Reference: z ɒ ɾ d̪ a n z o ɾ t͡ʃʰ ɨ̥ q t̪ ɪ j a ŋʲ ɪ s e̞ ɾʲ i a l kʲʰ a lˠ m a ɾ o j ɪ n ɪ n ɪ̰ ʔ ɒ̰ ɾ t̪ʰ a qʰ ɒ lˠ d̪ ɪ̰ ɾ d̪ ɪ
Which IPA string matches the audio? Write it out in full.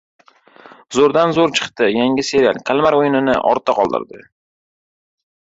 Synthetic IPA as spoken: z o ɾ d̪ a n z o ɾ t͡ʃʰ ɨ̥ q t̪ ɪ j a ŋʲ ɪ s e̞ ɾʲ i a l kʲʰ a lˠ m a ɾ o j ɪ n ɪ n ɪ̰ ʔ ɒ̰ ɾ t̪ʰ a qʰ ɒ lˠ d̪ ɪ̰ ɾ d̪ ɪ